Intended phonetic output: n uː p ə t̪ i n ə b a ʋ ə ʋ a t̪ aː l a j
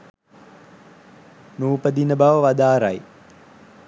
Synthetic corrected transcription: n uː p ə d̪ i n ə b a ʋ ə ʋ a d̪ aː ɾ a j